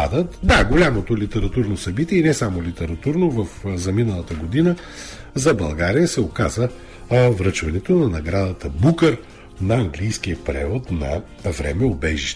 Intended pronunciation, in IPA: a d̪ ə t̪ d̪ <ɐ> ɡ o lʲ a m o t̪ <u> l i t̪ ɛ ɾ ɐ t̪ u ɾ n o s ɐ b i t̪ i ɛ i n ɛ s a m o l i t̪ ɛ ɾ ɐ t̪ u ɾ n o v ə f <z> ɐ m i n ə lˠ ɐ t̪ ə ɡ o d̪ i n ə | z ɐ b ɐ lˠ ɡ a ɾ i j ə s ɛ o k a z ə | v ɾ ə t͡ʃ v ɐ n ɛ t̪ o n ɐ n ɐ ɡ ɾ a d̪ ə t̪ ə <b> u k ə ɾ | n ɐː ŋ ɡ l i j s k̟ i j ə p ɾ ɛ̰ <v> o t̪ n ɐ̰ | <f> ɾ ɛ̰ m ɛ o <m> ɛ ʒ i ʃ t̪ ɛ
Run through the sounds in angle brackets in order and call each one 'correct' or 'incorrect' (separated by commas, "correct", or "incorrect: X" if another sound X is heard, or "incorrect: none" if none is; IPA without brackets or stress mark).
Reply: incorrect: a, incorrect: o, correct, correct, correct, incorrect: v, incorrect: b